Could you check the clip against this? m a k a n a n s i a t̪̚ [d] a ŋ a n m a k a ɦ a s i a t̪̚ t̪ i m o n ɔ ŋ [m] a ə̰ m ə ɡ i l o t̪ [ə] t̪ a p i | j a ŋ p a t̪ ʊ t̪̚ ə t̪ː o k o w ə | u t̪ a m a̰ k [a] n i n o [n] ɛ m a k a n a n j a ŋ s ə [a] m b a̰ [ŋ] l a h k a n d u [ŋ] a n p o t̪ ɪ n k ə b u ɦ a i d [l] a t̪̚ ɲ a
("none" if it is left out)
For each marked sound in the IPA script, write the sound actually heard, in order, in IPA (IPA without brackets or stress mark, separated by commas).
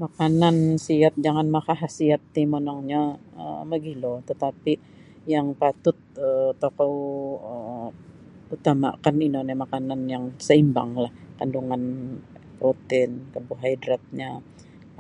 d͡ʒ, ɲ, ə, a, n, i, ŋ, ŋ, ɾ